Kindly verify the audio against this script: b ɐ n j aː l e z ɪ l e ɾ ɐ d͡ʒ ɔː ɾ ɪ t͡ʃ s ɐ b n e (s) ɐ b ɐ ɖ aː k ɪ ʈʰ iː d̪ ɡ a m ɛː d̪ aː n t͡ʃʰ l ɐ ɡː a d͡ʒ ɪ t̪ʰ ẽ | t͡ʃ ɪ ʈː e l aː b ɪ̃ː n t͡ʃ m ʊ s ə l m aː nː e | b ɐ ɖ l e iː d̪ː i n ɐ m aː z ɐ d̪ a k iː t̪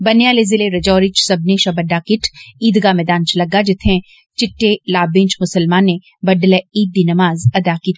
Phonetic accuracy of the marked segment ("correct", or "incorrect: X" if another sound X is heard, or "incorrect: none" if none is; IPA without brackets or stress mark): incorrect: ʃ